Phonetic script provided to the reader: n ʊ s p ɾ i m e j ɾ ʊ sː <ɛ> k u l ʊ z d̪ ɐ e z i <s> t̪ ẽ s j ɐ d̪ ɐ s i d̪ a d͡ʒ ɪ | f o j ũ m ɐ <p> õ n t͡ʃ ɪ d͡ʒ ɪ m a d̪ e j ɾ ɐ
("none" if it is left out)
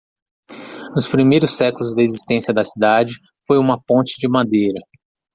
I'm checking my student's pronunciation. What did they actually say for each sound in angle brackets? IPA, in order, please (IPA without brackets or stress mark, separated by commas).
ɛ, s, p